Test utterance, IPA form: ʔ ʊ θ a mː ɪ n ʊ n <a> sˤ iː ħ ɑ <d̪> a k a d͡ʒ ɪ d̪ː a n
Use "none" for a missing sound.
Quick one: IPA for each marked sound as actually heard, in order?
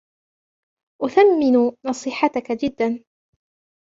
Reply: ɑ, t̪

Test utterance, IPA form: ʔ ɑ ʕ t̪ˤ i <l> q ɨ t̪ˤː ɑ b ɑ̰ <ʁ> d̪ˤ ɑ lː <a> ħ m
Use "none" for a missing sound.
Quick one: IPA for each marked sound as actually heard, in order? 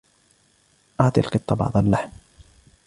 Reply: l, ʕ, a

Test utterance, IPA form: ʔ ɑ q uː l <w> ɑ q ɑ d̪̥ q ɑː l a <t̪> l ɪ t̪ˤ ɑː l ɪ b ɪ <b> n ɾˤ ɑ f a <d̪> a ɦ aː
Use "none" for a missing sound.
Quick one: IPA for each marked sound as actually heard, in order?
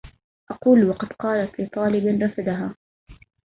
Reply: w, t̪, none, d̪

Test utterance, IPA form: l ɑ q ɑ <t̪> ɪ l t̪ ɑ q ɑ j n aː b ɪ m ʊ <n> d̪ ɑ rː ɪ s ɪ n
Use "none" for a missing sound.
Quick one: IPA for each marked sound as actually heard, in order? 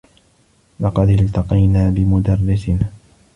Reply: d̪, none

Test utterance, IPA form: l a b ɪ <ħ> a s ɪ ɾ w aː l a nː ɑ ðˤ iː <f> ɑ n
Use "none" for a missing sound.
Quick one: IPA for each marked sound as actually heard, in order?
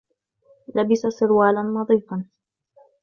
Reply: s, f

